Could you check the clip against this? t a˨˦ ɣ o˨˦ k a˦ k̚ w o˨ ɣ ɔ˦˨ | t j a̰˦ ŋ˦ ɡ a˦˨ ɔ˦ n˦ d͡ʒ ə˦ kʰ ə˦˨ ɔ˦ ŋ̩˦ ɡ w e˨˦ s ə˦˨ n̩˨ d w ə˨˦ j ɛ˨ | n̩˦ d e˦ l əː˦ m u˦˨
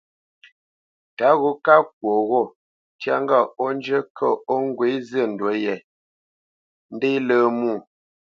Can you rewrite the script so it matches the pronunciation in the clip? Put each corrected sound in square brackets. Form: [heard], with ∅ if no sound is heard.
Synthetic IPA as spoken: t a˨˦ ɣ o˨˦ k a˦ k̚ w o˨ ɣ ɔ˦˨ | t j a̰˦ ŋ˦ ɡ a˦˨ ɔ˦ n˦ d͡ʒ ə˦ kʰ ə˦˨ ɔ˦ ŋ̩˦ ɡ w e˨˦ [z] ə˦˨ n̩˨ d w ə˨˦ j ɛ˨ | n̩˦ d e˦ l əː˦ m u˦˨